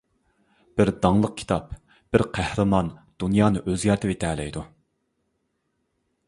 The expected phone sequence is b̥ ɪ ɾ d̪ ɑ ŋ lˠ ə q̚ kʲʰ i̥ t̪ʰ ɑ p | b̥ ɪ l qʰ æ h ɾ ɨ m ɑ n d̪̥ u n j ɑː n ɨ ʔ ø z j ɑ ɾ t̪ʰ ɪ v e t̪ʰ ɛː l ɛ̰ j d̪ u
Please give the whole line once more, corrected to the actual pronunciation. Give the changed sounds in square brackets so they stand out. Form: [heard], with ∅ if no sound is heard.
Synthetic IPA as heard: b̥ ɪ ɾ d̪ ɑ ŋ lˠ ə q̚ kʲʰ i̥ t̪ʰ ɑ p | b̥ ɪ [ɾ] qʰ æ h ɾ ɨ m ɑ n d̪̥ u n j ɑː n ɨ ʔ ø z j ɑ ɾ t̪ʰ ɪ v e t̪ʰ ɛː l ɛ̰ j d̪ u